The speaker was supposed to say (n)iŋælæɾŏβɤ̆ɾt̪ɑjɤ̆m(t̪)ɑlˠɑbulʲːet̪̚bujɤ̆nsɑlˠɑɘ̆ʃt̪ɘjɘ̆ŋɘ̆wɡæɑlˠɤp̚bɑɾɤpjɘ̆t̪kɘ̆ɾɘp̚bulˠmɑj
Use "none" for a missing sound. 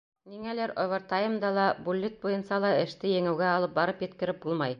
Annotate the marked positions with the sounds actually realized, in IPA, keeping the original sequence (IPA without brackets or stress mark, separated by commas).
n, d̪